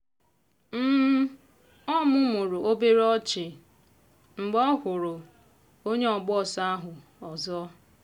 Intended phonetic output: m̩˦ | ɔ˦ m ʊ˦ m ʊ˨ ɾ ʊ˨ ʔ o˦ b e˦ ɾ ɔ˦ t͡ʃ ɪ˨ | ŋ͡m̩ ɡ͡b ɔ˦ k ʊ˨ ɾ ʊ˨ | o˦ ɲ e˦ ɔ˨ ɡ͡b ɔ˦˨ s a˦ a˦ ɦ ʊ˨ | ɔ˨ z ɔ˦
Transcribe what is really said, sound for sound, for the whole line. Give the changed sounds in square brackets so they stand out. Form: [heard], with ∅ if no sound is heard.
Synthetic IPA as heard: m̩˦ | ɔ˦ m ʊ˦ m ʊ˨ ɾ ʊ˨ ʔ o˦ b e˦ ɾ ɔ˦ t͡ʃ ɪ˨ | ŋ͡m̩ ɡ͡b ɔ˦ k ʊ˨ ɾ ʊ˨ | o˦ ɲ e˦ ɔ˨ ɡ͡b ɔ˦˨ s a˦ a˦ ɦ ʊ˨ | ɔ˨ z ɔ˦